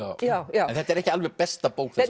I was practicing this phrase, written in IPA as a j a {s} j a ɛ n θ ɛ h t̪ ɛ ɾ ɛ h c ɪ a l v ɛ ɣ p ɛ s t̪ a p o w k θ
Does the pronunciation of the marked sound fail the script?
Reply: yes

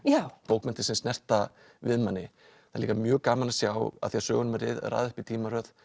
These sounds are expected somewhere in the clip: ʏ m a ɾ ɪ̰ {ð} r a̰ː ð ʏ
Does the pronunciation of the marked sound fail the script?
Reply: no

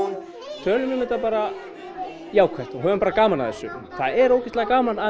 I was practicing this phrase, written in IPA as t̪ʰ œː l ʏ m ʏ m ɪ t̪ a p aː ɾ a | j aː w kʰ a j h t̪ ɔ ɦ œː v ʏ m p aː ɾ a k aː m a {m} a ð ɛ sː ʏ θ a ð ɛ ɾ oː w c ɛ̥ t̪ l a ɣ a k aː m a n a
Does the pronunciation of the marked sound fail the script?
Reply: yes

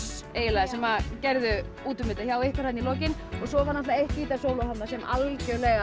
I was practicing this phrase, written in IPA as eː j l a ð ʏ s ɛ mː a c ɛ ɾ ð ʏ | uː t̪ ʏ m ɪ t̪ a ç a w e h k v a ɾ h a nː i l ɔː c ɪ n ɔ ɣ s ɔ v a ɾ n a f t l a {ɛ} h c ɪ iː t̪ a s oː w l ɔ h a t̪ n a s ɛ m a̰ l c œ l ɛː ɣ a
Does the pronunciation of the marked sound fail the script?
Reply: yes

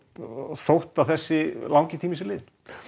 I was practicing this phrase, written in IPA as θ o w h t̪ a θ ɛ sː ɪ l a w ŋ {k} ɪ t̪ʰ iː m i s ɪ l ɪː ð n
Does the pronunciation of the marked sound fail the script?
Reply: yes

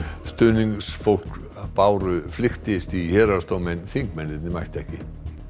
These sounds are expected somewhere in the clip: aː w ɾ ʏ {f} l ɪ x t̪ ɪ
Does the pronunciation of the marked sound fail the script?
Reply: no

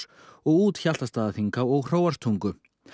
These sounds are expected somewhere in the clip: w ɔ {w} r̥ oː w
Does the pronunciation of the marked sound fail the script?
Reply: yes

